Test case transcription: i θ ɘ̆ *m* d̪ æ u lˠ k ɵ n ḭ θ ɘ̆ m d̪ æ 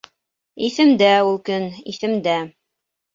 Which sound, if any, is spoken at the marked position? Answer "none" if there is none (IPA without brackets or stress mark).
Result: m